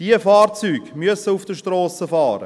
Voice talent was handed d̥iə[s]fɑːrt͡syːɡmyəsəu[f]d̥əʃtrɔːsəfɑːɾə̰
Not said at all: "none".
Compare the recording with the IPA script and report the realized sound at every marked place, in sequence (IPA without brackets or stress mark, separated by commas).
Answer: none, f